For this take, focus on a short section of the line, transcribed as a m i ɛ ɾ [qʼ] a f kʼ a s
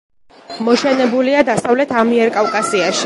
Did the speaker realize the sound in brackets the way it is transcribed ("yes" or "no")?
no